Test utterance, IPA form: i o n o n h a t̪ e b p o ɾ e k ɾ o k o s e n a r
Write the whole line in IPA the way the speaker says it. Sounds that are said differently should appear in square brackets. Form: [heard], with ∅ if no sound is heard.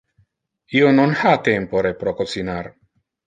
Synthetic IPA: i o n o n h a t̪ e [m] p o ɾ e [p] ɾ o k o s [i] n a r